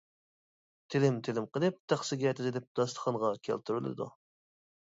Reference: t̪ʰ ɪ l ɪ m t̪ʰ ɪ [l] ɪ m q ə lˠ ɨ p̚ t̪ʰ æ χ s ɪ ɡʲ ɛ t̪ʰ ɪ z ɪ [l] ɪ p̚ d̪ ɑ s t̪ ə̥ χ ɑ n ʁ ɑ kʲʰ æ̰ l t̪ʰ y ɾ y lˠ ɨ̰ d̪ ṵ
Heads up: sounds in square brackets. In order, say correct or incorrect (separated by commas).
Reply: correct, correct